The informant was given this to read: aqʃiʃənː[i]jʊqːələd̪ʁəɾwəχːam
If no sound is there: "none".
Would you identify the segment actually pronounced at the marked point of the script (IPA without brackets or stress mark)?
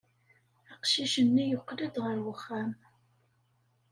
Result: i